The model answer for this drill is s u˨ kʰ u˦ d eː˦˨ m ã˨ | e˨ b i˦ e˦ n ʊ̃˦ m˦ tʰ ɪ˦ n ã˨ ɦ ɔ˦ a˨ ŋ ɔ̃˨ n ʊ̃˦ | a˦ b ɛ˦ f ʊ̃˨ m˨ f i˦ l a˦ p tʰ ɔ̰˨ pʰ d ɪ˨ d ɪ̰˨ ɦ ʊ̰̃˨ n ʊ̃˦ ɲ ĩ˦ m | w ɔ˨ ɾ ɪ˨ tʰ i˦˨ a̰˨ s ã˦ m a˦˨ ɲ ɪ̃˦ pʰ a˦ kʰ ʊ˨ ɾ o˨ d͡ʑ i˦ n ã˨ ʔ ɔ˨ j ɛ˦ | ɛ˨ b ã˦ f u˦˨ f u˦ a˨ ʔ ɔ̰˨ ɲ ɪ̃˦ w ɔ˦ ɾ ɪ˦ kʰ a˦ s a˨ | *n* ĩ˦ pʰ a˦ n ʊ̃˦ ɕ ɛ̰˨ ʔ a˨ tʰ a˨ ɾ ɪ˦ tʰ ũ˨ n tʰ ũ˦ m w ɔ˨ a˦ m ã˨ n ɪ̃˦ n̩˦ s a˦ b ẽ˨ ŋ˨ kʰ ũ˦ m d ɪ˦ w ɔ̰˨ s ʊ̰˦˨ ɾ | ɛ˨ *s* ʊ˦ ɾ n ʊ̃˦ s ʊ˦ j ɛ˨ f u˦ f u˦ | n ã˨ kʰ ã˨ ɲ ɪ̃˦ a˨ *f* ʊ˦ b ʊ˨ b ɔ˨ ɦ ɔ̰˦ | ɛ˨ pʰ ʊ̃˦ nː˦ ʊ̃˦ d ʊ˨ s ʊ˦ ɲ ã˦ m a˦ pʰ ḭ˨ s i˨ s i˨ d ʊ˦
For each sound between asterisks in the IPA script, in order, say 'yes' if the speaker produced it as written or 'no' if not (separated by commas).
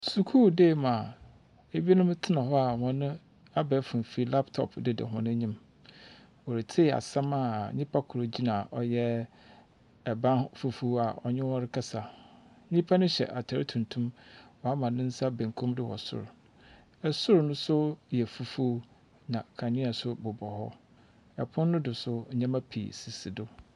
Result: no, yes, no